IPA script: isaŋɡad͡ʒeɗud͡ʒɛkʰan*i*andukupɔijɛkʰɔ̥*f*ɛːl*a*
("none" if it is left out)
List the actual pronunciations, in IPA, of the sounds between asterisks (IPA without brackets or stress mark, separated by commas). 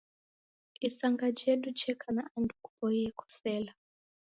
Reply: a, s, a